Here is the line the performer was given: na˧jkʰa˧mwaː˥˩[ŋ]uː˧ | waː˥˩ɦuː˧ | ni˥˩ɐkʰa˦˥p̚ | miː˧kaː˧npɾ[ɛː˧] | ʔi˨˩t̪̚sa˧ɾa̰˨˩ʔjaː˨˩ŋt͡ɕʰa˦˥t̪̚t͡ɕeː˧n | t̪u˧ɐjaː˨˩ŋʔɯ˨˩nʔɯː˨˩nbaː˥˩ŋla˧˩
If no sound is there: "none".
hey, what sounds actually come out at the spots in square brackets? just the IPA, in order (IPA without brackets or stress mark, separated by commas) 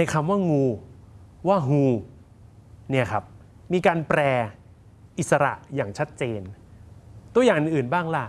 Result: ŋ, ɛː˧